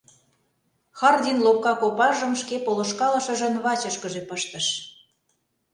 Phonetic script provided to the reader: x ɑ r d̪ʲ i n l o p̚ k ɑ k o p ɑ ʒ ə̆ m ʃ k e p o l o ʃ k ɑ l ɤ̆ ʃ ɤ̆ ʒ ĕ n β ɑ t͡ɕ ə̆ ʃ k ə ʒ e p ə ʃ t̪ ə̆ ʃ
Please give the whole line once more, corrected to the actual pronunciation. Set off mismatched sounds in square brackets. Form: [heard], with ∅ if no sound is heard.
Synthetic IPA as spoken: x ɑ r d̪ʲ i n l o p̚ k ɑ k o p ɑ ʒ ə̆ m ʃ k e p o l o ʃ k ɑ l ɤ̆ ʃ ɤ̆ ʒ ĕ n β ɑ t͡ɕ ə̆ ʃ k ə ʒ e p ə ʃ t̪ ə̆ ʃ